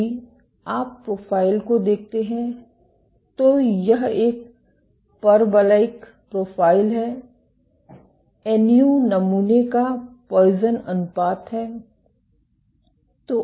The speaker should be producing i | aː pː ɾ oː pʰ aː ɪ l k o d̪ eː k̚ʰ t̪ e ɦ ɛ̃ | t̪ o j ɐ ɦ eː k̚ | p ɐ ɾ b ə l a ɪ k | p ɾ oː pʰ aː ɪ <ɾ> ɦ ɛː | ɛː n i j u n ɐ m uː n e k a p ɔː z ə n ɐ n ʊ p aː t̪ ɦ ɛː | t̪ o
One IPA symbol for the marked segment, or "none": l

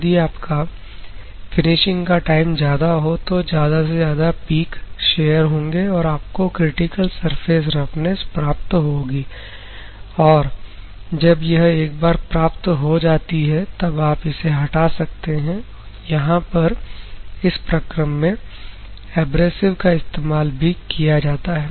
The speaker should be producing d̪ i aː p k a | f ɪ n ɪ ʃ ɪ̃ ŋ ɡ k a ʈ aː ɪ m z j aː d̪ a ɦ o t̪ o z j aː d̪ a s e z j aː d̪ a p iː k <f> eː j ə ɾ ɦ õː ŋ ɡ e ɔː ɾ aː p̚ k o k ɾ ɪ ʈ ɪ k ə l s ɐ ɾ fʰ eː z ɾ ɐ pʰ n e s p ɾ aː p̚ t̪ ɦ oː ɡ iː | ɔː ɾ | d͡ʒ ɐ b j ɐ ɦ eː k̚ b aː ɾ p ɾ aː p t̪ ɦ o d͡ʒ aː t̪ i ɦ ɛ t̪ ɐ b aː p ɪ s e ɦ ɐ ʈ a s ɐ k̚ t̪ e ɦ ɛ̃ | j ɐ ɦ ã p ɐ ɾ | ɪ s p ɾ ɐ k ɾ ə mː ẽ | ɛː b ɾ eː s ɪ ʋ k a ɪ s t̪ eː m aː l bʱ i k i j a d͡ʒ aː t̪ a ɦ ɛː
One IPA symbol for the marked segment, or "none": ʃ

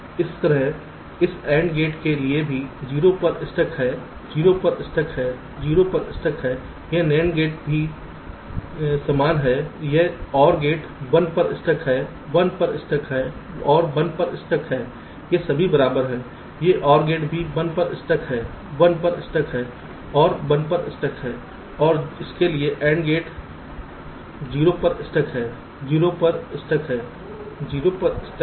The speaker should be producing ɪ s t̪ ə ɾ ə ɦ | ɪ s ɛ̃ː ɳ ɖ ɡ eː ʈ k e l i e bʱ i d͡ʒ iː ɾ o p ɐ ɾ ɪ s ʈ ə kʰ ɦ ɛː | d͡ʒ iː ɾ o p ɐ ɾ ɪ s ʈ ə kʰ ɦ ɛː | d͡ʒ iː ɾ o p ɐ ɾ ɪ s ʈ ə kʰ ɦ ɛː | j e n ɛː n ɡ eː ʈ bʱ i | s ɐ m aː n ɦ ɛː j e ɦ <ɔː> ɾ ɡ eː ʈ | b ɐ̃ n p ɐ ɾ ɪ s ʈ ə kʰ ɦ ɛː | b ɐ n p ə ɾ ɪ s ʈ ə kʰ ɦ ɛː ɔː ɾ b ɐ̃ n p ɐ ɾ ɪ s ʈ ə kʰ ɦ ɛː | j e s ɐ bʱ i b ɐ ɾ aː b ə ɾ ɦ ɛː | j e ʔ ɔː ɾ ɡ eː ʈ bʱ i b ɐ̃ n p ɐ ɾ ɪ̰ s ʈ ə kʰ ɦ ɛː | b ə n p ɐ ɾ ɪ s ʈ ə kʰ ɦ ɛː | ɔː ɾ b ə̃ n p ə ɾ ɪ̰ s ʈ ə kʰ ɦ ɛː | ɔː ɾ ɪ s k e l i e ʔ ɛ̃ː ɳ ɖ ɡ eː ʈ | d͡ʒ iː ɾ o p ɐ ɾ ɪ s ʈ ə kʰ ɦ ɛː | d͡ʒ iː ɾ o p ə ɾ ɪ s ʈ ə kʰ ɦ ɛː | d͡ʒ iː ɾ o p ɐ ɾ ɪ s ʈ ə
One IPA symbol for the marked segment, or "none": ɔː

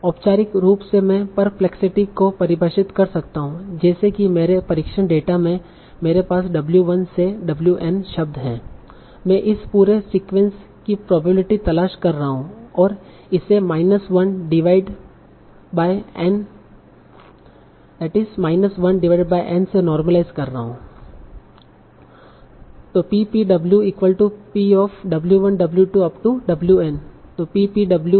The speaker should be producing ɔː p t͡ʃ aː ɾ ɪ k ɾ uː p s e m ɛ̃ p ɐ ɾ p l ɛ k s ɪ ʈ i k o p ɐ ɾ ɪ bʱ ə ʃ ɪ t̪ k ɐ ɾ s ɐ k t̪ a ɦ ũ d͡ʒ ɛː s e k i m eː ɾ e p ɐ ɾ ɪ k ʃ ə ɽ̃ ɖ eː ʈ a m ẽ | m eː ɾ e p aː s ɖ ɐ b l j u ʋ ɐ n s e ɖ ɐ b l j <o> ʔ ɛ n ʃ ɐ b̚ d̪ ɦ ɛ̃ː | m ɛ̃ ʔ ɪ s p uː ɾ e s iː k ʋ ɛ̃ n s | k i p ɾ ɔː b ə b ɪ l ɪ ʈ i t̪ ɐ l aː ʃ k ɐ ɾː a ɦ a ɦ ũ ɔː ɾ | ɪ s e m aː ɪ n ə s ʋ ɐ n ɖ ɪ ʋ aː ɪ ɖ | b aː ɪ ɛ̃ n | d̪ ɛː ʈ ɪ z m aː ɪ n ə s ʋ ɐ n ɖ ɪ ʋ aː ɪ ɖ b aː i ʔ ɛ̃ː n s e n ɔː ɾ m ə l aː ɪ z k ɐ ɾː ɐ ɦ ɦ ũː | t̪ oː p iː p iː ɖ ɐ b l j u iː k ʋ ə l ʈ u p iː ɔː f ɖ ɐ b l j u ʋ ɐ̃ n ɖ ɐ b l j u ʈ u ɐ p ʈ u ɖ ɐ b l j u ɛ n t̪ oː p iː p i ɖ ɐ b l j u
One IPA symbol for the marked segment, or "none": u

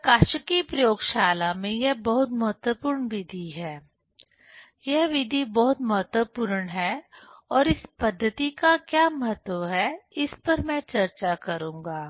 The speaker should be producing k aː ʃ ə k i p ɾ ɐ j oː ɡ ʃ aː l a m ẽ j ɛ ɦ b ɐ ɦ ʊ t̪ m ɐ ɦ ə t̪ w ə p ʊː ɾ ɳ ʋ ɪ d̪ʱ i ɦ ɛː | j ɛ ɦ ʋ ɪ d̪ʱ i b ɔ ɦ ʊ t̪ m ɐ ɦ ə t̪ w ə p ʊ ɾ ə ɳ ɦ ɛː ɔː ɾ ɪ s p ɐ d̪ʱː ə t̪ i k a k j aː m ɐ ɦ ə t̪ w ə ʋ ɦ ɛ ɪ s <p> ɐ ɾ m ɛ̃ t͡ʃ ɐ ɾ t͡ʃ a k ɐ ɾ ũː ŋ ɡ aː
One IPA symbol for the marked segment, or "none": p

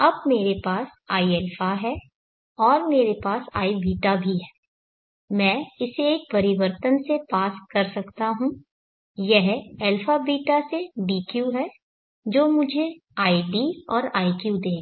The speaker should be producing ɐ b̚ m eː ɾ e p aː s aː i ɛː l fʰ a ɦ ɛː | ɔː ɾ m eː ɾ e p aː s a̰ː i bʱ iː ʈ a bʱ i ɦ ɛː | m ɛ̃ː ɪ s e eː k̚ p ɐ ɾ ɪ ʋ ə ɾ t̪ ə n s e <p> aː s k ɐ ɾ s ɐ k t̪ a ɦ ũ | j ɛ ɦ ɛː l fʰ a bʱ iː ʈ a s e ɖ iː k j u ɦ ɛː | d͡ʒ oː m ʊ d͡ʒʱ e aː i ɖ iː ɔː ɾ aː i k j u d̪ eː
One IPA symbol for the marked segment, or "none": p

